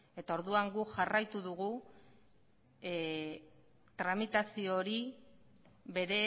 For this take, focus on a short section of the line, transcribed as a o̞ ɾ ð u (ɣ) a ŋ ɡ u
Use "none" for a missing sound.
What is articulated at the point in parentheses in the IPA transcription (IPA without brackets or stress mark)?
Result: none